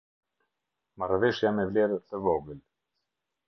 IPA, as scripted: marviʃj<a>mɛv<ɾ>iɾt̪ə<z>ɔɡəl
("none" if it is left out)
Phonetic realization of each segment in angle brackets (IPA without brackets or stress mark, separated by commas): a, l, v